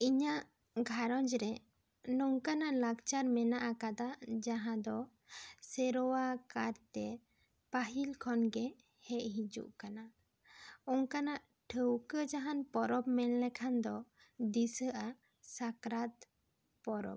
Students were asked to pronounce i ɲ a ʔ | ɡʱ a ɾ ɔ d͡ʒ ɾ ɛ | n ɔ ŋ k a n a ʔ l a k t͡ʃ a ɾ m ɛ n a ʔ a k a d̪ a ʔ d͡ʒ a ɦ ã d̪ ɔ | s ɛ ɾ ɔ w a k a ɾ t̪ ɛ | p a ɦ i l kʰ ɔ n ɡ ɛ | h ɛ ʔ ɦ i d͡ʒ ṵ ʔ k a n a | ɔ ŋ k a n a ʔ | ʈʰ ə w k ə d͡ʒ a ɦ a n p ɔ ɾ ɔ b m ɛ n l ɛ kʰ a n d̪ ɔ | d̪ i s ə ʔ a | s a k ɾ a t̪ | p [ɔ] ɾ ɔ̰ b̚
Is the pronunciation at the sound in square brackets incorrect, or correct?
correct